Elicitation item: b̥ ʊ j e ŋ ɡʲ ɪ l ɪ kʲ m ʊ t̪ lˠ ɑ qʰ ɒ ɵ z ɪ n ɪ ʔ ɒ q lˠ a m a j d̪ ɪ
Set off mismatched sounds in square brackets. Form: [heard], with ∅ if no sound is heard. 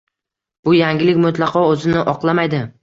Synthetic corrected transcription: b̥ ʊ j [a] ŋ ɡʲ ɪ l ɪ kʲ m ʊ t̪ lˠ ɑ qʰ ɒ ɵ z ɪ n ɪ ʔ ɒ q lˠ a m a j d̪ ɪ